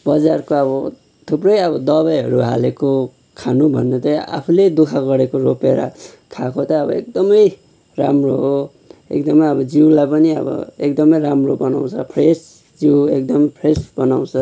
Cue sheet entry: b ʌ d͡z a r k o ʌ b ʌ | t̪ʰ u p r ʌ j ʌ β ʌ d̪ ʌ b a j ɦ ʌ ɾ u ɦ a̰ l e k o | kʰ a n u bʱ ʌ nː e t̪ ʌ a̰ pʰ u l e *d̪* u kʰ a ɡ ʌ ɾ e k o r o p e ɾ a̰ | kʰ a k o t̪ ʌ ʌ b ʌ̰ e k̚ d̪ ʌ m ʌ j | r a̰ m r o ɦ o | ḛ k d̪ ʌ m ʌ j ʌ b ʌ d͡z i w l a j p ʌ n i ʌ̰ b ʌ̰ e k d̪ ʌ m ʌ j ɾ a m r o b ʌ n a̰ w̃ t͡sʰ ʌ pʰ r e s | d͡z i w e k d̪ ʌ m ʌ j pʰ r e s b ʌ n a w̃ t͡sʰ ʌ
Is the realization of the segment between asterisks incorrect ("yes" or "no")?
no